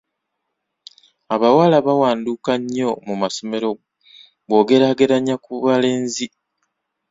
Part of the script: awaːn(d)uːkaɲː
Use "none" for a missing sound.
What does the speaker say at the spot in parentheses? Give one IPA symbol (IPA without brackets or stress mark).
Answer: d